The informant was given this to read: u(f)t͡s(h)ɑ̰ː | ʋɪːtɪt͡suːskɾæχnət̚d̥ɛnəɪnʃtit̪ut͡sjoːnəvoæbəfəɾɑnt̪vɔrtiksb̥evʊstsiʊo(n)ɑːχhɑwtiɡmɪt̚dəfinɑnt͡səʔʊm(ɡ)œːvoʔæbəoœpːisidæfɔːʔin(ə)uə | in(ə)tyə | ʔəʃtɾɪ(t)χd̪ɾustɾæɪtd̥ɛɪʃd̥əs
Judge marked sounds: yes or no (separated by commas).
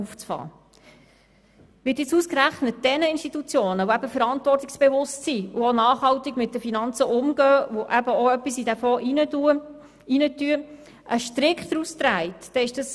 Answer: yes, no, yes, yes, yes, yes, no